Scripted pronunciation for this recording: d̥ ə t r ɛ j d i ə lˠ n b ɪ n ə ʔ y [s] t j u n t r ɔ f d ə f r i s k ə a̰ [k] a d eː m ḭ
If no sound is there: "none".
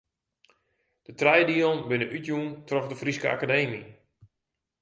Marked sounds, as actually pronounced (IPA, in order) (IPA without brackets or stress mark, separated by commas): none, k